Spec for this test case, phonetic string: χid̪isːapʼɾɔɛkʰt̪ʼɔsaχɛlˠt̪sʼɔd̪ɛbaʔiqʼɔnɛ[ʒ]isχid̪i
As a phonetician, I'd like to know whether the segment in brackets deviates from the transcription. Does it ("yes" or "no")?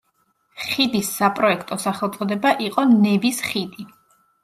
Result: yes